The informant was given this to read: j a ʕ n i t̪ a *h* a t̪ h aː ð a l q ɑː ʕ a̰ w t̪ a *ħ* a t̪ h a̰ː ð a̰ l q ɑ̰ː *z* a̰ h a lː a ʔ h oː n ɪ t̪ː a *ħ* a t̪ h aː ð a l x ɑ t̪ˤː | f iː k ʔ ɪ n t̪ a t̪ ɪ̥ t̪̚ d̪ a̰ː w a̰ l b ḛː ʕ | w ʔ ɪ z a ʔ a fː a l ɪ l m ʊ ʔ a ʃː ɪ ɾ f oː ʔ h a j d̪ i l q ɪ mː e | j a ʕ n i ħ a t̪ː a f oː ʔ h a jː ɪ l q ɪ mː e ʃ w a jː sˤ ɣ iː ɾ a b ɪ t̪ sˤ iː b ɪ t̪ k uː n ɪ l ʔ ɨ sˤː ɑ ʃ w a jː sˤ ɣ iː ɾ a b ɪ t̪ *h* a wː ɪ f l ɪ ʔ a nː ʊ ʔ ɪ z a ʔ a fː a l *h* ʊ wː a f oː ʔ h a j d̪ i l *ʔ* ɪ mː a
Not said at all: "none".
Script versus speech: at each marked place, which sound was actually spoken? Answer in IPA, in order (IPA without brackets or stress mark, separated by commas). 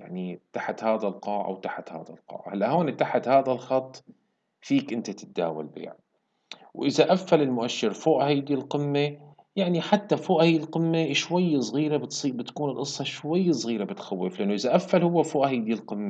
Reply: ħ, ħ, ʕ, ħ, x, h, q